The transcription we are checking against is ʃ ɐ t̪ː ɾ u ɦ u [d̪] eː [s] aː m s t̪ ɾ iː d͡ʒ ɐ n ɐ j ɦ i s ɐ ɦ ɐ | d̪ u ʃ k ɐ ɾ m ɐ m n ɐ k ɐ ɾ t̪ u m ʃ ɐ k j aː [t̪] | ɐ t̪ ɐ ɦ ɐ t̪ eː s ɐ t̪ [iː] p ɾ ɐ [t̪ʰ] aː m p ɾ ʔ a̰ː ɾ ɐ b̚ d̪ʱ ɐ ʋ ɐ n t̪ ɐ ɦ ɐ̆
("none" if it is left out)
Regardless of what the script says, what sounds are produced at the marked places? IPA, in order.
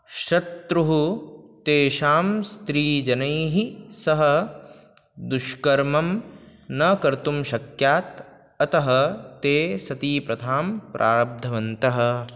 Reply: t̪, ʃ, t̪, iː, t̪ʰ

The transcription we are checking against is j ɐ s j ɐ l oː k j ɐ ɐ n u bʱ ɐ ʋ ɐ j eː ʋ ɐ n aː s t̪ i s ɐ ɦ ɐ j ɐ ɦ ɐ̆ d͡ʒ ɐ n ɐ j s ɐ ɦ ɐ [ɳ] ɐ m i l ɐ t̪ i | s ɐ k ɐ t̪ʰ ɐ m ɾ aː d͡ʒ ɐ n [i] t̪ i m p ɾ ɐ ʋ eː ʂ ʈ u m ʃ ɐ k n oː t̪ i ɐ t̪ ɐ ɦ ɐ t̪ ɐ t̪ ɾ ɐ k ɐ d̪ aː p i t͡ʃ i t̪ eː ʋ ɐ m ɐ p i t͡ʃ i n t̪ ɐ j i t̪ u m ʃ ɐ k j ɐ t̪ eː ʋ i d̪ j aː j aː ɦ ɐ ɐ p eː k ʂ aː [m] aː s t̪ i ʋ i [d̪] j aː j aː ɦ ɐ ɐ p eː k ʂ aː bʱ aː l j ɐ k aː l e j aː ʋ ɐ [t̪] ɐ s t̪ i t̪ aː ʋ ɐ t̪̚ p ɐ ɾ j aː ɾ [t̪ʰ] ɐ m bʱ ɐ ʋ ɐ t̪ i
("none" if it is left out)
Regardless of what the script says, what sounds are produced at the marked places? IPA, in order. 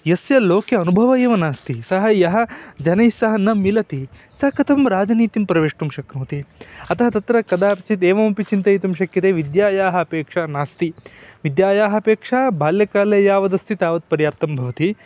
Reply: n, iː, n, d̪, d̪, t̪

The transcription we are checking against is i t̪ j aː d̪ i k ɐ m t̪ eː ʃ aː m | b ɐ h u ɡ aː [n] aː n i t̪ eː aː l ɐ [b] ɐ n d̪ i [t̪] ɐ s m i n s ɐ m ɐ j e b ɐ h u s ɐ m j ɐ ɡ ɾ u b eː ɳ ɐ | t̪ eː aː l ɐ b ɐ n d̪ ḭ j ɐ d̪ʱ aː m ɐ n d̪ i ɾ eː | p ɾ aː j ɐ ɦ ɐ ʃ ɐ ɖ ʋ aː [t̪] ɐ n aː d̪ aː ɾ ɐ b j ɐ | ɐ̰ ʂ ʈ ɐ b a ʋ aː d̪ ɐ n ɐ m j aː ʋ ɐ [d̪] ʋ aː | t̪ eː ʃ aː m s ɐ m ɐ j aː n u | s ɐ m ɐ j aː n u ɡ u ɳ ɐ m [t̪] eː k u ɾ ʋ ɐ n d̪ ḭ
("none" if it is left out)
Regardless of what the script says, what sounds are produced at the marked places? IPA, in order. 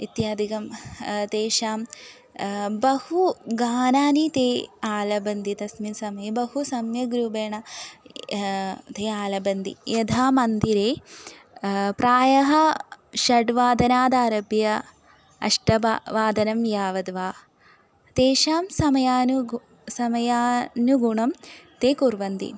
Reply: n, b, t̪, d̪, d̪, t̪

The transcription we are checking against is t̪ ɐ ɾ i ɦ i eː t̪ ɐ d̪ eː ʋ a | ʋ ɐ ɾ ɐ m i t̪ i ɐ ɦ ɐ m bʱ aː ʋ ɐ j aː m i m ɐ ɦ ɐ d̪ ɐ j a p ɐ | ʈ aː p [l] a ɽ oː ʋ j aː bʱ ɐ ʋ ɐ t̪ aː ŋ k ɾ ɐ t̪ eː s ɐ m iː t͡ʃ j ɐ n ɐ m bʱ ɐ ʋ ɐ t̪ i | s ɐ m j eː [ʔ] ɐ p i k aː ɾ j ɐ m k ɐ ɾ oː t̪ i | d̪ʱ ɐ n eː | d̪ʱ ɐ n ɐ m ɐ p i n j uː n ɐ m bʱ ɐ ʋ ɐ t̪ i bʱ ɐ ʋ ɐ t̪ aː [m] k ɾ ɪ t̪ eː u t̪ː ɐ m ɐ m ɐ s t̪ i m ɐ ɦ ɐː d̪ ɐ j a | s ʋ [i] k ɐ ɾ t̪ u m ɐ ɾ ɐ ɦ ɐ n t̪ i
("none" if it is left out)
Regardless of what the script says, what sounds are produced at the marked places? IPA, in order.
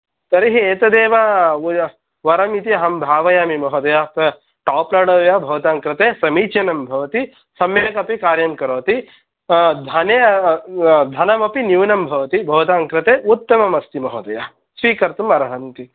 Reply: l, k, ŋ, iː

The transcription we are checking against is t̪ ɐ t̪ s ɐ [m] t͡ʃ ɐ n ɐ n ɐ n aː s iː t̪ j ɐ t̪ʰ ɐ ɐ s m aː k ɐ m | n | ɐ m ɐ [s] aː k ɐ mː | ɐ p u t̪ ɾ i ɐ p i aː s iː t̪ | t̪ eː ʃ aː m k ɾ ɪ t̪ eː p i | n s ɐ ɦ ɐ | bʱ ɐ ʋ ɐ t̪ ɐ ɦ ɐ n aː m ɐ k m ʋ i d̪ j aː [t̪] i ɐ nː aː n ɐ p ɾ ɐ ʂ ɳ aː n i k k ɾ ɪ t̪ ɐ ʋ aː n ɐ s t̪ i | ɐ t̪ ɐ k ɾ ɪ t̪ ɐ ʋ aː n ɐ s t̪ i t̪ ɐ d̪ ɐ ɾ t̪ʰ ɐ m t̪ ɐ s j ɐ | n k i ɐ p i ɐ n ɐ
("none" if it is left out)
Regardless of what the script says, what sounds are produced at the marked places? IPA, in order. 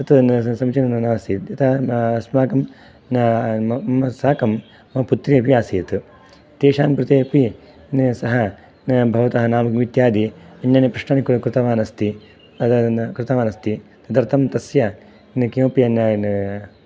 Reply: m, s, d̪

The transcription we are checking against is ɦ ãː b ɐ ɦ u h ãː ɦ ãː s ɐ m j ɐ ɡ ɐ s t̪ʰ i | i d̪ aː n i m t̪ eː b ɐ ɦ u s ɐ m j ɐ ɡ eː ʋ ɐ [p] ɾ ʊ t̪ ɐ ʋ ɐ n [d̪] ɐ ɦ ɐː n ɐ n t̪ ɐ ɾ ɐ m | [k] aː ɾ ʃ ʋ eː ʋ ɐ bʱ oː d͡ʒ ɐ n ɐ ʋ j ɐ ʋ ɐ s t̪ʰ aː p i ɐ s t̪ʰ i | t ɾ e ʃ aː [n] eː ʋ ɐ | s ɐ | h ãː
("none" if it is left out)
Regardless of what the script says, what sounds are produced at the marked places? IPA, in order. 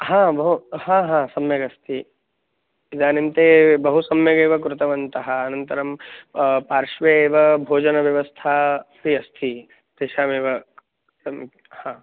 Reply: k, t̪, p, m

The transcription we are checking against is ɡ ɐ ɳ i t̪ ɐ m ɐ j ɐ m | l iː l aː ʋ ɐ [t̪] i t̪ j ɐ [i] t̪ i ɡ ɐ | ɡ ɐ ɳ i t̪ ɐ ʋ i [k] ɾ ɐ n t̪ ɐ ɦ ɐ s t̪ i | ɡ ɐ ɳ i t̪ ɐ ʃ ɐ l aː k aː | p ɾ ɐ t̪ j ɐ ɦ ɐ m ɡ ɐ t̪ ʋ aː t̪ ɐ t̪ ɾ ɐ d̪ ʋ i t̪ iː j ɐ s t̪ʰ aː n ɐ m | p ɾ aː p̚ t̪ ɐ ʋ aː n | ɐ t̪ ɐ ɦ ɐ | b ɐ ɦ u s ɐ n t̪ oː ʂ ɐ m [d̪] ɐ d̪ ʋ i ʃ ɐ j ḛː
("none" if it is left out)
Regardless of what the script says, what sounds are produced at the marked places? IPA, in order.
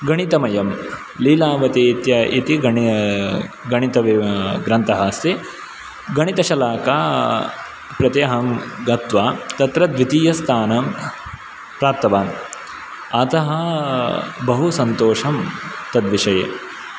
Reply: t̪, i, ɡ, t̪

